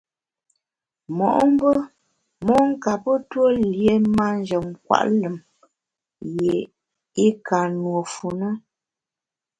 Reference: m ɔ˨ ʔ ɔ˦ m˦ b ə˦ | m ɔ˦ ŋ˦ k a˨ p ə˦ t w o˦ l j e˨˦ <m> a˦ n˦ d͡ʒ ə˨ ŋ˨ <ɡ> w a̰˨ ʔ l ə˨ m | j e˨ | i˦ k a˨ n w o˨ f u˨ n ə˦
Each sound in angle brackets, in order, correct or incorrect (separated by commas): correct, incorrect